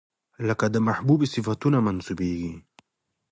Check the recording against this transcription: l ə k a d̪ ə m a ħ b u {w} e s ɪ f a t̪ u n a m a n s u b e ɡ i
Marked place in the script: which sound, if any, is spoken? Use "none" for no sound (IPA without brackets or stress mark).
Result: b